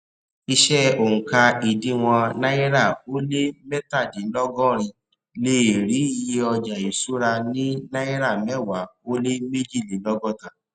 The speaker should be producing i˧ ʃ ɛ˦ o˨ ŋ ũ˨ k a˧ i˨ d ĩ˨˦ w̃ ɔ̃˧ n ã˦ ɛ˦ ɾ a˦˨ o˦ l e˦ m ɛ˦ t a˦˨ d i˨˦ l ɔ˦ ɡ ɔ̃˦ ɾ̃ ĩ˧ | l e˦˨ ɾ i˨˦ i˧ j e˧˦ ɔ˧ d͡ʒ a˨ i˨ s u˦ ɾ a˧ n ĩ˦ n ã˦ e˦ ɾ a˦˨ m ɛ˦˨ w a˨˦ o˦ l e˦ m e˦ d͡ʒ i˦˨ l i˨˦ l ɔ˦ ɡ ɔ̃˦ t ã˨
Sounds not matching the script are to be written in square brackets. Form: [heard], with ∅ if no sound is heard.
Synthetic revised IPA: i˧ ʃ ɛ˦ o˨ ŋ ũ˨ k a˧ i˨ d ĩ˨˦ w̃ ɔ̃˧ n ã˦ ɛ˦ ɾ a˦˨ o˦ l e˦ m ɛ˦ t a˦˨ d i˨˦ l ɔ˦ ɡ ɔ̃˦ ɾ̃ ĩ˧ | l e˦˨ ɾ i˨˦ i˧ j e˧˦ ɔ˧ d͡ʒ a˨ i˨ s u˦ ɾ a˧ n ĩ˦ n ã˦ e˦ ɾ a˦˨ m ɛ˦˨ w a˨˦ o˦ l e˦ m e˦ d͡ʒ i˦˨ l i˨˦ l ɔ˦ ɡ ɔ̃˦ t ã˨

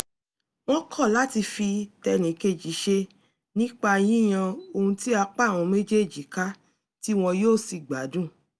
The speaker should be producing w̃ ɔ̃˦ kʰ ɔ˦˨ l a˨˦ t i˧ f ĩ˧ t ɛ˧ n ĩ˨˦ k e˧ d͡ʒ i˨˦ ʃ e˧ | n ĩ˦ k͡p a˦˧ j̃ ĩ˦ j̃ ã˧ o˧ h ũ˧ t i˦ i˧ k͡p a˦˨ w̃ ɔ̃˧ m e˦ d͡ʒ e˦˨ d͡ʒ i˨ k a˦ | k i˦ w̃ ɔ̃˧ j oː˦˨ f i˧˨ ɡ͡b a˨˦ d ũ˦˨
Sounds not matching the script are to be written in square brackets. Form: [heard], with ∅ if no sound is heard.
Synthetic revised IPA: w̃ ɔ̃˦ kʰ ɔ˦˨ l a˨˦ t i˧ f [i˧] t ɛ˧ n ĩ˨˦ k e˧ d͡ʒ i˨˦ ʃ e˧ | n ĩ˦ k͡p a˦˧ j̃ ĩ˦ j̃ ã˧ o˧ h ũ˧ t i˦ [a˧] k͡p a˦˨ w̃ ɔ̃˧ m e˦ d͡ʒ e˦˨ d͡ʒ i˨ k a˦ | [t] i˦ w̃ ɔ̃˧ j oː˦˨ [s] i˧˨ ɡ͡b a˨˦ d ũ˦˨

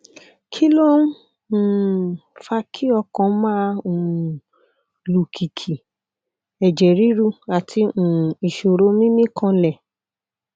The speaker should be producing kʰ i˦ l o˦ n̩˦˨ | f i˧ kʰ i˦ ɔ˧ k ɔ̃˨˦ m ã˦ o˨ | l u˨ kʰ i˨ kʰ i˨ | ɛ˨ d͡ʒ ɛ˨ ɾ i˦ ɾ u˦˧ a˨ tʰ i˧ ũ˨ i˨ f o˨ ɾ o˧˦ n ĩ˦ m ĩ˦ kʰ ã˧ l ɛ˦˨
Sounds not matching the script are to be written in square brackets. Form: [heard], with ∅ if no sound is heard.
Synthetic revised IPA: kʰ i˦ l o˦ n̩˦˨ | f [a˧] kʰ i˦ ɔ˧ k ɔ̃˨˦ m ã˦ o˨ | l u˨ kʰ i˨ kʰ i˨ | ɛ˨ d͡ʒ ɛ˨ ɾ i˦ ɾ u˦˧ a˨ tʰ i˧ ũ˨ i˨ [ʃ] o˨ ɾ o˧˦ [m] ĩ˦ m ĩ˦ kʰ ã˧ l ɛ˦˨

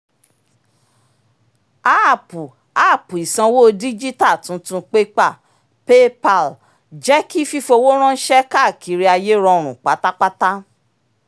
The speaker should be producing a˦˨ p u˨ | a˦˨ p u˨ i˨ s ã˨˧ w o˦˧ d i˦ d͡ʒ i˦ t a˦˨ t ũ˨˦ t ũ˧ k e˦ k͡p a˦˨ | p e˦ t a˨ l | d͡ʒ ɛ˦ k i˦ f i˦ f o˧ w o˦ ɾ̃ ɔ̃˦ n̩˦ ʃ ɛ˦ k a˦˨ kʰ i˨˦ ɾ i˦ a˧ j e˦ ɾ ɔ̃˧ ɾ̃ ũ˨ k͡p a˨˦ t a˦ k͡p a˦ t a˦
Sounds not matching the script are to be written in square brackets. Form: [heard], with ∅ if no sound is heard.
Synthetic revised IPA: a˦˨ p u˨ | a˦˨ p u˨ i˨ s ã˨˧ w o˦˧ d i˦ d͡ʒ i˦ t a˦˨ t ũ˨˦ t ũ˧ [k͡p] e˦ k͡p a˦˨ | p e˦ [p] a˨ l | d͡ʒ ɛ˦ k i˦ f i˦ f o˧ w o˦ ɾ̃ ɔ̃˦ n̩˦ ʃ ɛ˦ k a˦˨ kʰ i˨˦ ɾ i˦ a˧ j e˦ ɾ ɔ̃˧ ɾ̃ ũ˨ k͡p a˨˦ t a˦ k͡p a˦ t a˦

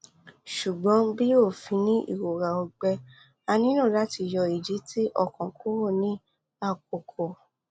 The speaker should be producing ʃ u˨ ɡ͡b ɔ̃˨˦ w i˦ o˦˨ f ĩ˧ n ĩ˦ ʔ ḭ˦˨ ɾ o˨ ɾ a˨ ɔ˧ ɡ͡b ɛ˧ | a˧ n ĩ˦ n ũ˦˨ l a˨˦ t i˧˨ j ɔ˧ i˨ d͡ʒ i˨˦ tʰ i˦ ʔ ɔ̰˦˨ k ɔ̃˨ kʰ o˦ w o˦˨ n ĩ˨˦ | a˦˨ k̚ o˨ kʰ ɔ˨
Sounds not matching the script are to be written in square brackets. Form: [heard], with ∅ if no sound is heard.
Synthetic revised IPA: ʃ u˨ ɡ͡b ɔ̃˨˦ [b] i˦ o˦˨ f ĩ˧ n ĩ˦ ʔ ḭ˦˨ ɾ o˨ ɾ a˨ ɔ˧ ɡ͡b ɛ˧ | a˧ n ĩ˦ n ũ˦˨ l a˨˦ t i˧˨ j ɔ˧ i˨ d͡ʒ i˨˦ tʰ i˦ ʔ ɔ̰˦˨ k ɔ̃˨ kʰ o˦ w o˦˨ n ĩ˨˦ | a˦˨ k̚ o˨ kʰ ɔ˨

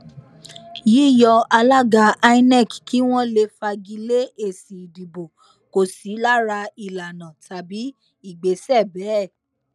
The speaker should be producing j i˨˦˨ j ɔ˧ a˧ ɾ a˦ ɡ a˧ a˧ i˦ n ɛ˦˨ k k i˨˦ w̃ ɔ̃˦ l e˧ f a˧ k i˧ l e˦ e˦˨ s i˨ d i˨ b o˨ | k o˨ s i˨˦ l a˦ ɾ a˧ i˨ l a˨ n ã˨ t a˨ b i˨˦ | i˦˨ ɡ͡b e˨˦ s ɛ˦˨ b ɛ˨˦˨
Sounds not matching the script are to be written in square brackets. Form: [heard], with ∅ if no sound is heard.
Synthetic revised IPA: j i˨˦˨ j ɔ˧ a˧ [l] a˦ ɡ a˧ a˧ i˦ n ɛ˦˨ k k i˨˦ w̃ ɔ̃˦ l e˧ f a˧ [ɡ] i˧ l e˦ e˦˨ s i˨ d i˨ b o˨ | k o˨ s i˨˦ l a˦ ɾ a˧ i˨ l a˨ n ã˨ t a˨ b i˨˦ | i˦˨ ɡ͡b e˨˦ s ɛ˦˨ b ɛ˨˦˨

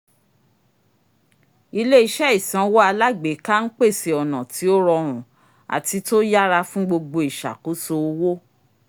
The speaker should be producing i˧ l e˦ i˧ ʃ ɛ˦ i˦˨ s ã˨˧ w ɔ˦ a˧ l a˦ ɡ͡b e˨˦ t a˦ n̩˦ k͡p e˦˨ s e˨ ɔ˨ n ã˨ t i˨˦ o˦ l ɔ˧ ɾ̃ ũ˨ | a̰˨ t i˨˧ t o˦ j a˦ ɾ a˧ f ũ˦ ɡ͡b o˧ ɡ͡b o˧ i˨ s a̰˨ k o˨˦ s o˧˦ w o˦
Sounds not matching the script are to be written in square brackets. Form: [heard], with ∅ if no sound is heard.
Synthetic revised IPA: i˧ l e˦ i˧ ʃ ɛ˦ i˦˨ s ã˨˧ w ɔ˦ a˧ l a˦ ɡ͡b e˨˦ [k] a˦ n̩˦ k͡p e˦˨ s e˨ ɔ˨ n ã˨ t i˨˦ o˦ [ɾ] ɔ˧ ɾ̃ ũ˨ | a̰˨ t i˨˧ t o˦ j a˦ ɾ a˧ f ũ˦ ɡ͡b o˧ ɡ͡b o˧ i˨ [ʃ] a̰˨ k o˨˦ s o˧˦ w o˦

